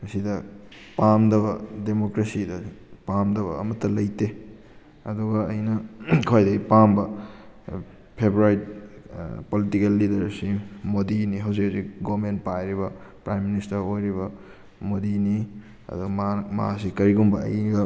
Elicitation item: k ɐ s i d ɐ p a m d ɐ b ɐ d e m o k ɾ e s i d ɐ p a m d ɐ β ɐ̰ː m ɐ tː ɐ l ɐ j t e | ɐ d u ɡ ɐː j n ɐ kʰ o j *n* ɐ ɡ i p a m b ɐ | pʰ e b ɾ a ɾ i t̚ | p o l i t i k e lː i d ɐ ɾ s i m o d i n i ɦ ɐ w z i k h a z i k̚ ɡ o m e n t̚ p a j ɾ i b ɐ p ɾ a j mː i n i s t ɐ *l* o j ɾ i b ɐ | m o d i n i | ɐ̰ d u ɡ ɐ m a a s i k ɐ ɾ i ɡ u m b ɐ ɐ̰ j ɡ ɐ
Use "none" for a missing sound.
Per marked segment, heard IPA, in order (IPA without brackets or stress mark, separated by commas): d, ɾ